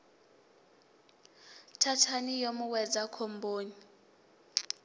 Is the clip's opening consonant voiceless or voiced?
voiceless